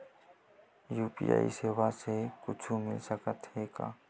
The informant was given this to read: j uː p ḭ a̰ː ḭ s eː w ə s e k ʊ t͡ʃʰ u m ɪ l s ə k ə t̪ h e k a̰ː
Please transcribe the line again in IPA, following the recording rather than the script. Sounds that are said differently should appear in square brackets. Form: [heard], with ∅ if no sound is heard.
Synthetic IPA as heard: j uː p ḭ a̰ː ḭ s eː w [a] s e k ʊ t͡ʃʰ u m ɪ l s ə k ə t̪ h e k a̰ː